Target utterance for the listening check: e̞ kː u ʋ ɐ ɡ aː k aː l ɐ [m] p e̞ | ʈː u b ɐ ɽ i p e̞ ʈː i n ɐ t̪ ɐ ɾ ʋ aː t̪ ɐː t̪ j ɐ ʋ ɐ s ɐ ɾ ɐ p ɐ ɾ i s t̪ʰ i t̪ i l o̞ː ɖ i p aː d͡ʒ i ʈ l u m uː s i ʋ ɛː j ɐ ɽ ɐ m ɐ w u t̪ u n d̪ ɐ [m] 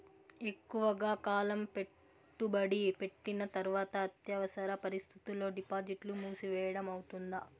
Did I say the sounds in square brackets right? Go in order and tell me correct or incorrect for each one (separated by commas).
correct, incorrect